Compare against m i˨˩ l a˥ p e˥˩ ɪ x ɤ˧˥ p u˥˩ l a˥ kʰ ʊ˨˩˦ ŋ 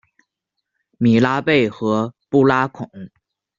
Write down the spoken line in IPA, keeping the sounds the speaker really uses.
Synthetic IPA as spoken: m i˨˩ l a˥ p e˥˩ ɪ x ɤ˧˥ p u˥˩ l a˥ kʰ ʊ˨˩˦ ŋ